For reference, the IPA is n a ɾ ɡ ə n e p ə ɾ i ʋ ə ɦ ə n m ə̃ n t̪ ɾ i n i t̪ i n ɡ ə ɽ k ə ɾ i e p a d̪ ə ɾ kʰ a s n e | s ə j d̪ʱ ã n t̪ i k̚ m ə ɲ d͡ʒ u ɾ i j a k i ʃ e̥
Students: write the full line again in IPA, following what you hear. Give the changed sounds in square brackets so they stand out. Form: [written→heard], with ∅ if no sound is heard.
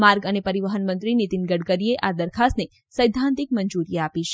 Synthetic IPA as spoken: [n→m] a ɾ ɡ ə n e p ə ɾ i ʋ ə ɦ ə n m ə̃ n t̪ ɾ i n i t̪ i n ɡ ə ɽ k ə ɾ i e [p→ʔ] a d̪ ə ɾ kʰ a s n e | s ə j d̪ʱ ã n t̪ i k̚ m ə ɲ d͡ʒ u ɾ i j a [k→p] i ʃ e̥